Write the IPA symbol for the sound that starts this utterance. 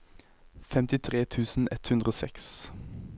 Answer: f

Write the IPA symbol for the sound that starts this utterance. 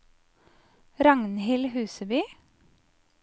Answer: ɾ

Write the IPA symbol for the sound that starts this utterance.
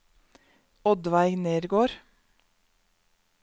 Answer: ɔ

